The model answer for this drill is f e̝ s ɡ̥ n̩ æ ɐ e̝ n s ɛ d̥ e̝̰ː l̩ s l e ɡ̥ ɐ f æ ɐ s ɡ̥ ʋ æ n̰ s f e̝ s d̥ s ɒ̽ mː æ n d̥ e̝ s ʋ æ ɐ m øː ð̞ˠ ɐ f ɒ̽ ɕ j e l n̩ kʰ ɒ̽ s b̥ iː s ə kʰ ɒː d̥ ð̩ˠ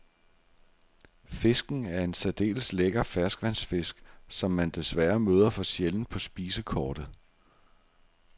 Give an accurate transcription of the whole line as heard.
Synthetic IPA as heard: f e̝ s ɡ̥ n̩ æ ɐ e̝ n s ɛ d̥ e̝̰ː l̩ s l e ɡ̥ ɐ f æ ɐ s ɡ̥ ʋ æ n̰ s f e̝ s ɡ̥ s ɒ̽ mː æ n d̥ e̝ s ʋ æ ɐ m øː ð̞ˠ ɐ f ɒ̽ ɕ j e l n̩ pʰ ɒ̽ s b̥ iː s ə kʰ ɒː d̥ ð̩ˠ